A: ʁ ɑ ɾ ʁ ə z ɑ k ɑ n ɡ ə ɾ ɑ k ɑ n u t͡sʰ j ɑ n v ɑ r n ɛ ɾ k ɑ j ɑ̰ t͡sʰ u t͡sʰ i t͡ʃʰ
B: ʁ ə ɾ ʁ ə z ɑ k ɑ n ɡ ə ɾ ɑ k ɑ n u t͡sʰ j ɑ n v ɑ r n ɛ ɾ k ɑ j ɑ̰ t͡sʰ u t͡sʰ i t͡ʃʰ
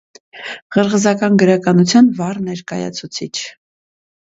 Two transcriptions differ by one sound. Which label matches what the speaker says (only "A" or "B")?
B